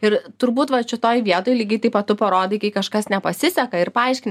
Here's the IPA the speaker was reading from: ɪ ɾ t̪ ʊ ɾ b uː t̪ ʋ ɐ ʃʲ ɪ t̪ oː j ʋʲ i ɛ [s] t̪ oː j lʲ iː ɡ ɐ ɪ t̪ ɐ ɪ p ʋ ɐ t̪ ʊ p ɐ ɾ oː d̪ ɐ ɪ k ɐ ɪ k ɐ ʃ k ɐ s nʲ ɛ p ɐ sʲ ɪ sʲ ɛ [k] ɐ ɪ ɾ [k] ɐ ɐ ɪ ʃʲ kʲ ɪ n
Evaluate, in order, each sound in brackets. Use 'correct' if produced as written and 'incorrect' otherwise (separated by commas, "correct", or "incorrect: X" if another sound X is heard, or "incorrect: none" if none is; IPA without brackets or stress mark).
incorrect: none, correct, incorrect: p